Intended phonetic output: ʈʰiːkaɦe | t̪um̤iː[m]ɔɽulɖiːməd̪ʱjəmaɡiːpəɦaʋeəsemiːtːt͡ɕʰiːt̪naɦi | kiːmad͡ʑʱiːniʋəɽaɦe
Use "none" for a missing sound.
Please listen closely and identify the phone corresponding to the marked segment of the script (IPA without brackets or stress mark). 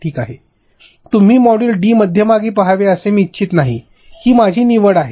m